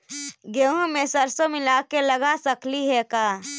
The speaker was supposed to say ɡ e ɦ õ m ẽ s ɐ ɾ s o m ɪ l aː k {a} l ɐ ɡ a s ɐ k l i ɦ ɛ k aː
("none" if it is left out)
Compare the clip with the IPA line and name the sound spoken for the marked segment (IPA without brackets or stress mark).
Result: e